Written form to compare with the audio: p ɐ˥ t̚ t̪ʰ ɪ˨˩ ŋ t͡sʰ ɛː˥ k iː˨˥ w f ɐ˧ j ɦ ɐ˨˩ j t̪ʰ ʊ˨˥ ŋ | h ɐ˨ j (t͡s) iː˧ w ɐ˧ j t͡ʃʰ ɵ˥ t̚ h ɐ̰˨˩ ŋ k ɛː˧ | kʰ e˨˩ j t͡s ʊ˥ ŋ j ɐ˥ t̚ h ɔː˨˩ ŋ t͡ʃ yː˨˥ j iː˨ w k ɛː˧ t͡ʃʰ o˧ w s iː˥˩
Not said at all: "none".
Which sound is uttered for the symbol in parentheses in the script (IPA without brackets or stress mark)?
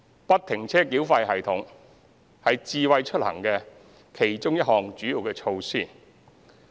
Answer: t͡s